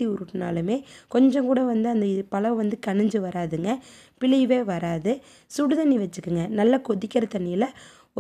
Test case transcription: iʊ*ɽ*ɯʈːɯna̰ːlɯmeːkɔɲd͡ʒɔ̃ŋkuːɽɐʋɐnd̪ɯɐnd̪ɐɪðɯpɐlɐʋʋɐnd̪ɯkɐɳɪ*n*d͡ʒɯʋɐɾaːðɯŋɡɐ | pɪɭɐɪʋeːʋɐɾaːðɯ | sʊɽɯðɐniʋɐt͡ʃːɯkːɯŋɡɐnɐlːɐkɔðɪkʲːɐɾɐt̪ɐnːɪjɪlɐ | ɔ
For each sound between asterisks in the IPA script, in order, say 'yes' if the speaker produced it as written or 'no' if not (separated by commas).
no, no